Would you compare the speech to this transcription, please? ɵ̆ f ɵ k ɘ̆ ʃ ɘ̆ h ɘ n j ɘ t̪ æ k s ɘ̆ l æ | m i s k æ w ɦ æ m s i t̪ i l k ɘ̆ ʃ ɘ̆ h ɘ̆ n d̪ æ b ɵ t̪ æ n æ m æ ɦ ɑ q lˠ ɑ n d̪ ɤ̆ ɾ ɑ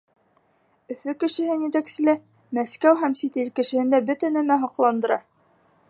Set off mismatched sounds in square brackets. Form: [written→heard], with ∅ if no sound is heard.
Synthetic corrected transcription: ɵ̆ f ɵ k ɘ̆ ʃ ɘ̆ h ɘ n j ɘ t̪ æ k s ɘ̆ l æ | m [i→æ] s k æ w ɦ æ m s i t̪ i l k ɘ̆ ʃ ɘ̆ h ɘ̆ n d̪ æ b ɵ t̪ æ n æ m æ ɦ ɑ q lˠ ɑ n d̪ ɤ̆ ɾ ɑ

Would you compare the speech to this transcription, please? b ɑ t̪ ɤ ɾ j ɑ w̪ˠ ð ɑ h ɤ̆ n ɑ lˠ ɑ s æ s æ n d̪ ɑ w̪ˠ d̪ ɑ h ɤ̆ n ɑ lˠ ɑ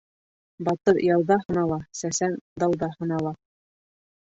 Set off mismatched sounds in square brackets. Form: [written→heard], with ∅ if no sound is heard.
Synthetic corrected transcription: b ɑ t̪ ɤ ɾ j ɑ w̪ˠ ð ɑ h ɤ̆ n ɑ lˠ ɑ s æ s æ n d̪ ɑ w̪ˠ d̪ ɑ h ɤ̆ n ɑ lˠ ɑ

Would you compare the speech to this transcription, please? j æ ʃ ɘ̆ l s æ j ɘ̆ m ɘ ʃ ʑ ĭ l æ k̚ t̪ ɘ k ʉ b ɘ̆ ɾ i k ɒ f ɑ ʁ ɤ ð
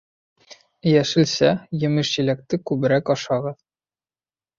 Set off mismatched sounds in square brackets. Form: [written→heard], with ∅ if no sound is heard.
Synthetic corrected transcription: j æ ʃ ɘ̆ l s æ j ɘ̆ m ɘ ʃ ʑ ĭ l æ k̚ t̪ ɘ k ʉ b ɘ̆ ɾ [i→æ] k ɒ [f→ʃ] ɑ ʁ ɤ ð

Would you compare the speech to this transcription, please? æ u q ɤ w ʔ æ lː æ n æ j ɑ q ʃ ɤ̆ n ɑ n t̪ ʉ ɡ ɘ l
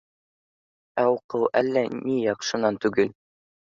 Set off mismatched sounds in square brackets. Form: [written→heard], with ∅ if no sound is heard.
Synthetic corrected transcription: æ u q ɤ w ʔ æ lː æ n [æ→i] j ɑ q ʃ ɤ̆ n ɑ n t̪ ʉ ɡ ɘ l

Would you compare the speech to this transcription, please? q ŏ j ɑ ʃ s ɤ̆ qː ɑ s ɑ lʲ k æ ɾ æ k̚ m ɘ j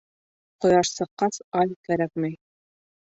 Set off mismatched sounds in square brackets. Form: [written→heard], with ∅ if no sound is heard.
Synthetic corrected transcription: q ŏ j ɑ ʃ s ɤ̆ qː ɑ s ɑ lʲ k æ ɾ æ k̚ m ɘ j

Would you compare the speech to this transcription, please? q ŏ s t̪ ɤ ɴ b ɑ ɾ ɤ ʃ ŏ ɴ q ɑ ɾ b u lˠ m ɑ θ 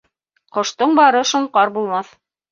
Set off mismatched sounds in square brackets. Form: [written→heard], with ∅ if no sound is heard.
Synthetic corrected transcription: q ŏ [s→ʃ] t̪ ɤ ɴ b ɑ ɾ ɤ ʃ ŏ ɴ q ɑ ɾ b u lˠ m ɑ θ

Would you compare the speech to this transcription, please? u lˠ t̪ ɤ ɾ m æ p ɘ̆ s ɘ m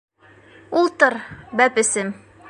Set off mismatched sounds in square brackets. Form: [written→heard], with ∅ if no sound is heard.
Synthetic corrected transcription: u lˠ t̪ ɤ ɾ [m→b] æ p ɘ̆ s ɘ m

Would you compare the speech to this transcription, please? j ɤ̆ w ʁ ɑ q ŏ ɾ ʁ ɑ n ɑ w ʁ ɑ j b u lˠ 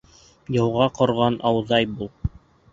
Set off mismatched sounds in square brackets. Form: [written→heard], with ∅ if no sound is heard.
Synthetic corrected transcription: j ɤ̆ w ʁ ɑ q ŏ ɾ ʁ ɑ n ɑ w [ʁ→ð] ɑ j b u lˠ

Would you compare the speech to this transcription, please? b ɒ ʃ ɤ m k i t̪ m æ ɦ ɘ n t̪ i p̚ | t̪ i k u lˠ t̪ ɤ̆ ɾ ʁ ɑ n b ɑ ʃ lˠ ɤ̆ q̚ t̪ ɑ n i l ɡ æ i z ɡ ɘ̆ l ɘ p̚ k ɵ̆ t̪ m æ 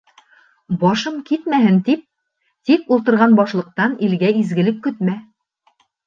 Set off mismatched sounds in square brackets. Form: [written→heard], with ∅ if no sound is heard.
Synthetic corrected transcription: b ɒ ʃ ɤ m k i t̪ m æ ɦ ɘ n t̪ i p̚ | t̪ i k u lˠ t̪ ɤ̆ ɾ ʁ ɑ n b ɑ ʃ lˠ ɤ̆ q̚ t̪ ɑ n i l ɡ æ i z ɡ ɘ̆ l ɘ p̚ k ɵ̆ t̪ m æ

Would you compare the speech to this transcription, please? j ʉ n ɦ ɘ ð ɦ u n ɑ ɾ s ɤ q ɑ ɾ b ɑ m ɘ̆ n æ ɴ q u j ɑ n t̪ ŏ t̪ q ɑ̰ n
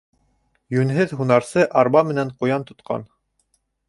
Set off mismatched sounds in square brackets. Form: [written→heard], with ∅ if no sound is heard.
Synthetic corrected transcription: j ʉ n ɦ ɘ ð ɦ u n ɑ ɾ s ɤ [q→ʔ] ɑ ɾ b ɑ m ɘ̆ n æ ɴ q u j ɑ n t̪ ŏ t̪ q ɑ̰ n

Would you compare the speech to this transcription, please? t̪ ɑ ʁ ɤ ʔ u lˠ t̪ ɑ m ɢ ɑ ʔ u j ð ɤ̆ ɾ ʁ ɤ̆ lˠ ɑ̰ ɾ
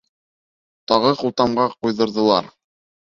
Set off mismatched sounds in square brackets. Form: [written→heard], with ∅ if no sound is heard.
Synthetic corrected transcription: t̪ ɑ ʁ ɤ [ʔ→q] u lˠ t̪ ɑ m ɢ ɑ [ʔ→q] u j ð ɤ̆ ɾ [ʁ→ð] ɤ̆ lˠ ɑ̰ ɾ

